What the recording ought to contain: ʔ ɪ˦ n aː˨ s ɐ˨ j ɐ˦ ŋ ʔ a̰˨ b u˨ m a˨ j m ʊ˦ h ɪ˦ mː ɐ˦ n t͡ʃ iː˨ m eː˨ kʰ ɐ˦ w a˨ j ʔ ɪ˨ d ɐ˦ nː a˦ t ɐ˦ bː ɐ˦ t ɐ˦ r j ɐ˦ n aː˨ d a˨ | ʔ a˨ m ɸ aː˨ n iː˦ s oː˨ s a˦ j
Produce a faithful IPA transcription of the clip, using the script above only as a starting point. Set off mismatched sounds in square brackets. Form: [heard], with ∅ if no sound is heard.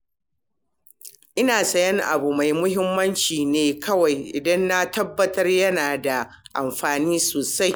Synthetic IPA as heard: ʔ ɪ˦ n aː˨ s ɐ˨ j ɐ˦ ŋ ʔ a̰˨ b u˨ m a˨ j m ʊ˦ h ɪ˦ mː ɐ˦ n t͡ʃ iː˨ [n] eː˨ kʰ ɐ˦ w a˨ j ʔ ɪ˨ d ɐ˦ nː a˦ t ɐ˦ bː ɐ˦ t ɐ˦ r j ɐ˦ n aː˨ d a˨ | ʔ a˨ m ɸ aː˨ n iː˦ s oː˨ s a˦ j